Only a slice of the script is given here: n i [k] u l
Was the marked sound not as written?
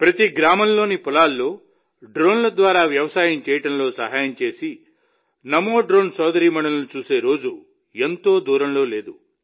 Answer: yes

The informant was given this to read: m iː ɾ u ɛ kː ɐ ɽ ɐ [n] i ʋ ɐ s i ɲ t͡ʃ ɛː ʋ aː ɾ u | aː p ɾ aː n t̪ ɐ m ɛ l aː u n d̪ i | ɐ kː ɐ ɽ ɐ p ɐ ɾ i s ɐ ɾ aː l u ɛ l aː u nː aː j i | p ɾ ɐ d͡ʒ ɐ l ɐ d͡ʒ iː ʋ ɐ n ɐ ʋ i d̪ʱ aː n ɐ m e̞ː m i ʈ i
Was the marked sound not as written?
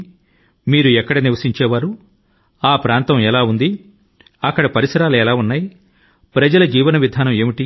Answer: no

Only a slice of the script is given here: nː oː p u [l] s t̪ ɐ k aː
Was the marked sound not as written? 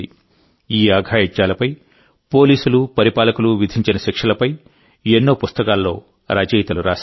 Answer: yes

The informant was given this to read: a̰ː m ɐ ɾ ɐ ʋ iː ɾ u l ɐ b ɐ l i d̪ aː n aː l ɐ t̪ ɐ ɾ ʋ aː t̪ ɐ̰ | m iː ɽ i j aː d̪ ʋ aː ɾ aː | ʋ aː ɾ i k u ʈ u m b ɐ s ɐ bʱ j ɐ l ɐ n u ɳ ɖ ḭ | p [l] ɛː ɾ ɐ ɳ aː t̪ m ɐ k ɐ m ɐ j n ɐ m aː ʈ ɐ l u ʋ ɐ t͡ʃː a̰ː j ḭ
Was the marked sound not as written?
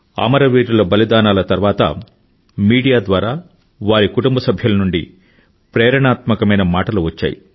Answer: yes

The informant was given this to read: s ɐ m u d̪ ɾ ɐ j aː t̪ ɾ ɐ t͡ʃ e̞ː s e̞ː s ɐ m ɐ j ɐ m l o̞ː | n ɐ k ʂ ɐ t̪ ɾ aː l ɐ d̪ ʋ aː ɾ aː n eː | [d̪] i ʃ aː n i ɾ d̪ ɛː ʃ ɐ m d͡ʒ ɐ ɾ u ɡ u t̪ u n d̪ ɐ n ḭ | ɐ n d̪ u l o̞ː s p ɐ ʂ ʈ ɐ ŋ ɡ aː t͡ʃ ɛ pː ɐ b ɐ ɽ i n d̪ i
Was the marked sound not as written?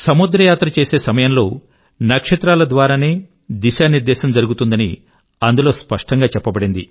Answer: no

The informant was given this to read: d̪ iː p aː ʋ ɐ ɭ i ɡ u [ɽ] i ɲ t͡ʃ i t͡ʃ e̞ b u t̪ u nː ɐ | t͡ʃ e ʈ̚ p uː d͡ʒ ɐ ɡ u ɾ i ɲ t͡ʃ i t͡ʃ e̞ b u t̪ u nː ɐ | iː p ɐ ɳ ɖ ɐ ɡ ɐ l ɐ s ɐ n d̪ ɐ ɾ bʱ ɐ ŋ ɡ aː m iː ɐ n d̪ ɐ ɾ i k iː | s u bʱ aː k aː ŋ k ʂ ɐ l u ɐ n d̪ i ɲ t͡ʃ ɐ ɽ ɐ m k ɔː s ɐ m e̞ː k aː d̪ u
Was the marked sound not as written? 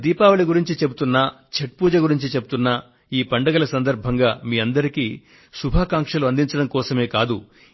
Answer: yes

